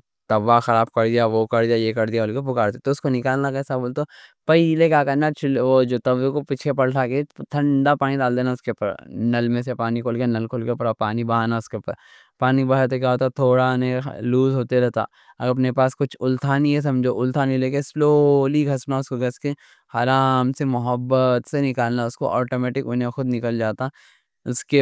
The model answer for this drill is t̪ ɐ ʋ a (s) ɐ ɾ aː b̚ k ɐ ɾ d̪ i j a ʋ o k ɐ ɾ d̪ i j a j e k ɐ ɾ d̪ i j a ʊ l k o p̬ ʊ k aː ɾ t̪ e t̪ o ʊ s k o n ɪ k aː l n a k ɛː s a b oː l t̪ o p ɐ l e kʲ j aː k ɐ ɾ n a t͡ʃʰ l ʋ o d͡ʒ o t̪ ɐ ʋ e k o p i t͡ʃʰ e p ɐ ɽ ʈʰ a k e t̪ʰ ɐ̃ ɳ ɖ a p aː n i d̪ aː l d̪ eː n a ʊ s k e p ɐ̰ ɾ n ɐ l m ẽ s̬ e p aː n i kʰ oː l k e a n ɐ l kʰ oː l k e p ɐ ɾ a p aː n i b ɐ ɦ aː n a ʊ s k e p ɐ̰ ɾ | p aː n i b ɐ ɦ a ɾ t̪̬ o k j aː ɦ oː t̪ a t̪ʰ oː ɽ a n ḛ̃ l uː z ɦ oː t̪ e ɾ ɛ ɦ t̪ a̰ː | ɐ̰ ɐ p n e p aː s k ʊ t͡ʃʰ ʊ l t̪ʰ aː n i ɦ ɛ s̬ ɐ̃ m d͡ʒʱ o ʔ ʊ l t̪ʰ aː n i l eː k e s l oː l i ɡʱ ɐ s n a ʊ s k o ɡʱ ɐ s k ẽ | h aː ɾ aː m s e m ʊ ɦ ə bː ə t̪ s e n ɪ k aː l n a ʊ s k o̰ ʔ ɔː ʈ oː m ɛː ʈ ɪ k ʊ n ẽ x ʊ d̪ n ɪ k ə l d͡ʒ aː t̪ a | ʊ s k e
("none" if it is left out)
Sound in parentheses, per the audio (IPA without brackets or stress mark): x